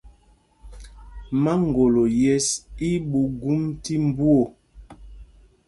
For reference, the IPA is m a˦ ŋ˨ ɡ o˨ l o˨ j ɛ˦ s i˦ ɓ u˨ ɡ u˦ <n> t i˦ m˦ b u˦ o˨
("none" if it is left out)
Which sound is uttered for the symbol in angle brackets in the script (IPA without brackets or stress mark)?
m